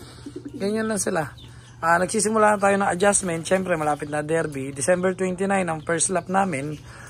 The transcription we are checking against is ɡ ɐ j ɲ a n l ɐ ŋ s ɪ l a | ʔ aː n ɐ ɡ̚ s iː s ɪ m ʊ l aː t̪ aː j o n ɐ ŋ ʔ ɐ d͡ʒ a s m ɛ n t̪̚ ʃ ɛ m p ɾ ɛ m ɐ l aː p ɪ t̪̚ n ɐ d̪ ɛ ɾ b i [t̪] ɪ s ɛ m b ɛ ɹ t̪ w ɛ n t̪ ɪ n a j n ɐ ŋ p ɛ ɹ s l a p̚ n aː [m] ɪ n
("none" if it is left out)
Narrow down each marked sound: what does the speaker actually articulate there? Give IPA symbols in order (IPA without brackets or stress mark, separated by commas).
d̪, m